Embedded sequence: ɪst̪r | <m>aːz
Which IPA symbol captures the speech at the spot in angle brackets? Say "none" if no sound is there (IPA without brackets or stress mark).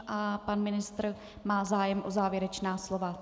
m